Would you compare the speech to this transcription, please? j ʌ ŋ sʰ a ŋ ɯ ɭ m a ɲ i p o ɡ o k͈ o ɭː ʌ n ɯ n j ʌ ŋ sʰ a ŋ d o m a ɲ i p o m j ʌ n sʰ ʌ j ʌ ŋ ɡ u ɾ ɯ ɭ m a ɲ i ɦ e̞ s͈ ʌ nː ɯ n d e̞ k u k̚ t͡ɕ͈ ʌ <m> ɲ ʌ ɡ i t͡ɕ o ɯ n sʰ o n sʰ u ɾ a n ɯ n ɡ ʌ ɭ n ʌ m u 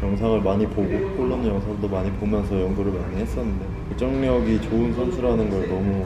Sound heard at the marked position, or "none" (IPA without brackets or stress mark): ŋ